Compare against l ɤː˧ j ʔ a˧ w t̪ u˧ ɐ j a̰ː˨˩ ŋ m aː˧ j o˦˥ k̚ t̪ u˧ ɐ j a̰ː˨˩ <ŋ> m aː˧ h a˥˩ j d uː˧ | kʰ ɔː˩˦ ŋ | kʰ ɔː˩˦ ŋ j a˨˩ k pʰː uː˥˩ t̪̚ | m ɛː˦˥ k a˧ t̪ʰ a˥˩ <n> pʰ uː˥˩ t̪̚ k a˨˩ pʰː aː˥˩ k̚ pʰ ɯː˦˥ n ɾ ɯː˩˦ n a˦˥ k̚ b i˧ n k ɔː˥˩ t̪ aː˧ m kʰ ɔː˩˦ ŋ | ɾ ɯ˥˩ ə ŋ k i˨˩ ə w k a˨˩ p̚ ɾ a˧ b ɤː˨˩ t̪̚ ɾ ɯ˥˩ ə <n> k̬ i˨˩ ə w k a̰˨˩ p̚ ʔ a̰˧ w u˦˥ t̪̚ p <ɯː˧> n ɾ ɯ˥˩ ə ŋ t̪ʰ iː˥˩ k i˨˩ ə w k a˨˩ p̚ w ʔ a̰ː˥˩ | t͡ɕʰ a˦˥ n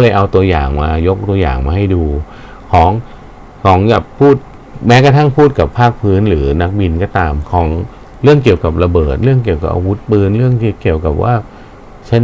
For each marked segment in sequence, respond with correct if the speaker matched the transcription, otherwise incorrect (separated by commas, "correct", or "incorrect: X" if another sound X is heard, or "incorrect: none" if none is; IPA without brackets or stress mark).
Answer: correct, incorrect: ŋ, incorrect: ŋ, correct